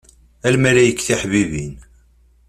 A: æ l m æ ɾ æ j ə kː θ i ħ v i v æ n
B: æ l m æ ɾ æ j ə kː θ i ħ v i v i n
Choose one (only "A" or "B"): B